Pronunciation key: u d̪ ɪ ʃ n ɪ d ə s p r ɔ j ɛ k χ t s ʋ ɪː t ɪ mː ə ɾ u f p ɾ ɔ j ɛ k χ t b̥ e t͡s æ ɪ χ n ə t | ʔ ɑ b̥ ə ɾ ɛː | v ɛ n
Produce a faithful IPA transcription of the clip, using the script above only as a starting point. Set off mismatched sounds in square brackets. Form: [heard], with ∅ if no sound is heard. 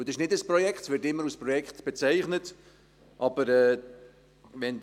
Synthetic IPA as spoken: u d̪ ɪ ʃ n ɪ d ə s p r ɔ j ɛ k χ t s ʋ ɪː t ɪ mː ə ɾ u [s] p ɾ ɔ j ɛ k χ t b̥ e t͡s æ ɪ χ n ə t | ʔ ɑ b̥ ə ɾ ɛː | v ɛ n